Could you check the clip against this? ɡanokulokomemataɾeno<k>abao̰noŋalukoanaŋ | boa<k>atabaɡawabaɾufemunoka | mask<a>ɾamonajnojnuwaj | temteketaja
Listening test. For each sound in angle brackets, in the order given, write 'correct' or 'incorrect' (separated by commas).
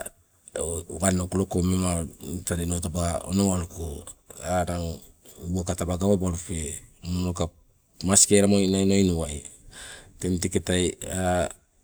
incorrect, correct, incorrect